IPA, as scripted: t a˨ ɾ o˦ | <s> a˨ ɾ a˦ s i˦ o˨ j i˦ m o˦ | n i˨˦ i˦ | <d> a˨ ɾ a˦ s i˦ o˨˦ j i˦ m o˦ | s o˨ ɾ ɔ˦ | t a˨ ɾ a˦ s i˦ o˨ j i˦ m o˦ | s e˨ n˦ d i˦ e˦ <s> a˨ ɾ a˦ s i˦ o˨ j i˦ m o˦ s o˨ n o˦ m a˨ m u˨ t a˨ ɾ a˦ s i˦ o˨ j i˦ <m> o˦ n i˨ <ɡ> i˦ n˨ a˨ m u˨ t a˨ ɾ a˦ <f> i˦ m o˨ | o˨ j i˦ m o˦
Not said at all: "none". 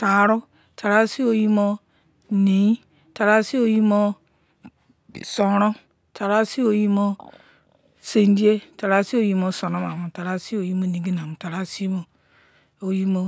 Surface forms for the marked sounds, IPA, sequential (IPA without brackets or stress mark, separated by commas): t, t, t, m, ɡ, s